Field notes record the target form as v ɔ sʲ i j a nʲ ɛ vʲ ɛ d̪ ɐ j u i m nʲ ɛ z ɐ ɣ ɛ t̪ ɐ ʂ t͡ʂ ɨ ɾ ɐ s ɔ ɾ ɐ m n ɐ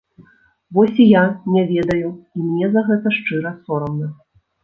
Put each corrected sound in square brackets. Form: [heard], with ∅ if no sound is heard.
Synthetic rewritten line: v ɔ sʲ i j a nʲ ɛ vʲ ɛ d̪ ɐ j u i m nʲ ɛ z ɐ ɣ ɛ t̪ ɐ ʂ t͡ʂ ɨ ɾ ɐ s ɔ ɾ ɐ m n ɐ